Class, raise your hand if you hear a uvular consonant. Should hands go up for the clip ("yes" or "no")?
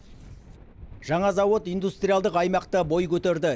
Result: yes